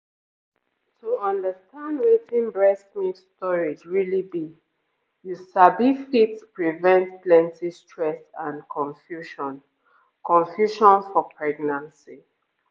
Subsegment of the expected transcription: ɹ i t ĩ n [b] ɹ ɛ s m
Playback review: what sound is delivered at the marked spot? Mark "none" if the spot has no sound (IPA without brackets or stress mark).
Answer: b